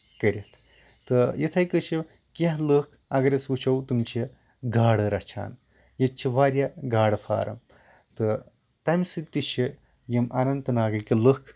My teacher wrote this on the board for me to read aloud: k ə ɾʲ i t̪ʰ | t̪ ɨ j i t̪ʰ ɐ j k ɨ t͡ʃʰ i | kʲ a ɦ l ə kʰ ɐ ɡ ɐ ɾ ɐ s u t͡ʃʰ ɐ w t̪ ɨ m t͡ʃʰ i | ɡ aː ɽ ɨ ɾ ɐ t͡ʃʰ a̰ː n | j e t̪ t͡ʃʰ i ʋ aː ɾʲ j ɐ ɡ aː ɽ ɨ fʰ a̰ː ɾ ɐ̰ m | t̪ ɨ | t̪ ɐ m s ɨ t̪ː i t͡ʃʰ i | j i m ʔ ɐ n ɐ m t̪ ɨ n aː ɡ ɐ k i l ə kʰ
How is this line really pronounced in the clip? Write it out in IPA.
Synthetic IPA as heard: k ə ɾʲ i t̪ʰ | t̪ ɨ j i t̪ʰ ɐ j k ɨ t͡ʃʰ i | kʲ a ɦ l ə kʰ ɐ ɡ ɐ ɾ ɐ s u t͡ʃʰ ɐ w t̪ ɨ m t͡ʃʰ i | ɡ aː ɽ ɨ ɾ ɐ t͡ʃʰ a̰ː n | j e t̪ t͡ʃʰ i ʋ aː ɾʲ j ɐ ɡ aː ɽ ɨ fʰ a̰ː ɾ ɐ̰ m | t̪ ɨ | t̪ ɐ m s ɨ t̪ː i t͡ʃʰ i | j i m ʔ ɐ n ɐ n t̪ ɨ n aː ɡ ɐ k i l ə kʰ